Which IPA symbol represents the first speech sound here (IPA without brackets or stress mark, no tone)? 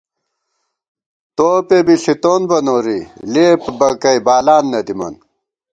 t̪